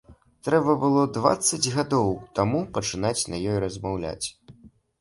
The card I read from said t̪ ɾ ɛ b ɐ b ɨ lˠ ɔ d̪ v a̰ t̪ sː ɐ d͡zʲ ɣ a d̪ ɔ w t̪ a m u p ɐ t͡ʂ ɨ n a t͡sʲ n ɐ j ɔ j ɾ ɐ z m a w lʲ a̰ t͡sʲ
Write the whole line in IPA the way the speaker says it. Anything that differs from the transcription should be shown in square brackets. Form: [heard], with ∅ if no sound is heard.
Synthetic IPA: t̪ ɾ ɛ b ɐ b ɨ lˠ ɔ d̪ v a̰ t̪ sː ɐ d͡zʲ ɣ a d̪ ɔ w t̪ a m u p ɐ t͡ʂ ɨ n a t͡sʲ n ɐ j ɔ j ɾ ɐ z m a w lʲ a̰ t͡sʲ